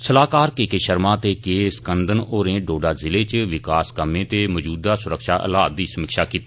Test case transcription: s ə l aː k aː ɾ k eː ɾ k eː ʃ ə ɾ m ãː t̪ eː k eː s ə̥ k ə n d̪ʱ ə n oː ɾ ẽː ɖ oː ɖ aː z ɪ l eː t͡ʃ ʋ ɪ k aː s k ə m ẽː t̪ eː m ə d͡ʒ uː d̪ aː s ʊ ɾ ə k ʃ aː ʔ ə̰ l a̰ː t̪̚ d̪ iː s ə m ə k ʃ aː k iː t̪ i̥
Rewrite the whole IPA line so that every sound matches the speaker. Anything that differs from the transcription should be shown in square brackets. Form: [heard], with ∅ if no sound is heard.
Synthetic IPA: s ə l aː k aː ɾ k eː [∅] k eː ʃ ə ɾ m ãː t̪ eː k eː s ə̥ k ə n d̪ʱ ə n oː ɾ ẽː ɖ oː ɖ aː z ɪ l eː t͡ʃ ʋ ɪ k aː s k ə m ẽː t̪ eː m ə d͡ʒ uː d̪ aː s ʊ ɾ ə k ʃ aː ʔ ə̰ l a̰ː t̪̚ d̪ iː s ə m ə k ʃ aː k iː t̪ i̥

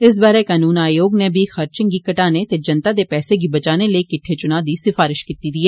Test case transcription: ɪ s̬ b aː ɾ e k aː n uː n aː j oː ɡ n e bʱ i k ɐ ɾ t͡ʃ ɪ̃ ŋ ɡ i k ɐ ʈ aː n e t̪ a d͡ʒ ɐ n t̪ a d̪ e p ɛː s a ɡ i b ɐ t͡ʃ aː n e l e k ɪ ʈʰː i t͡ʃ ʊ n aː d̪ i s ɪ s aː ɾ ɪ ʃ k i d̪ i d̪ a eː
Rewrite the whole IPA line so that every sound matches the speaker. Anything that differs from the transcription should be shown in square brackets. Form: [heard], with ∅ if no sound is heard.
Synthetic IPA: ɪ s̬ b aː ɾ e k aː n uː n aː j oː ɡ n e bʱ i [x] ɐ ɾ t͡ʃ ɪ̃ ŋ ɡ i k ɐ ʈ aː n e t̪ [e] d͡ʒ ɐ n t̪ a d̪ e p ɛː s [e] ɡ i b ɐ t͡ʃ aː n e l e k ɪ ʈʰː [e] t͡ʃ ʊ n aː d̪ i s ɪ [f] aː ɾ ɪ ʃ k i [t̪] i d̪ [i] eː

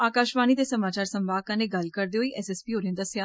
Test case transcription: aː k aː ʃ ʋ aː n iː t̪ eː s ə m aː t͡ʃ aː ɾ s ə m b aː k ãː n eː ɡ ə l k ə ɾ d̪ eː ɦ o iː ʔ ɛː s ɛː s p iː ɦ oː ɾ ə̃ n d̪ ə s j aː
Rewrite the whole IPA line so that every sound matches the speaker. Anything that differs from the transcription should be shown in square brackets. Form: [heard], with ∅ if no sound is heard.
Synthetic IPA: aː k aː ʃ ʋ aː n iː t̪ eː s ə m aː t͡ʃ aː ɾ s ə m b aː k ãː n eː ɡ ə l k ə ɾ d̪ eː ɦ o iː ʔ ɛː s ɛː s p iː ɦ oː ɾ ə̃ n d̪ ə s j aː

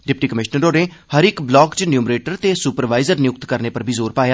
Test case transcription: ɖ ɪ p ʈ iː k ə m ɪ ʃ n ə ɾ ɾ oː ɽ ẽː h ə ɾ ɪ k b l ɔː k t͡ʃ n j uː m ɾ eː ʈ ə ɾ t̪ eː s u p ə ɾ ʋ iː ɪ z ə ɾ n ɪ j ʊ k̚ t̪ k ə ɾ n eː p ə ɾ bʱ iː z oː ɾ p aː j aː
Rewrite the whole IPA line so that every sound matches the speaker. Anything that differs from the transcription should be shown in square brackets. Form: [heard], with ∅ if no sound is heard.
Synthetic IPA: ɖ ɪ p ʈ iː k ə m ɪ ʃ n ə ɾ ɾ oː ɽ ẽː h ə ɾ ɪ k b l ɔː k t͡ʃ n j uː m ɾ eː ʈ ə ɾ t̪ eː s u p ə ɾ ʋ [aː] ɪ z ə ɾ n ɪ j ʊ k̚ t̪ k ə ɾ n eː p ə ɾ bʱ iː z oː ɾ p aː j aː

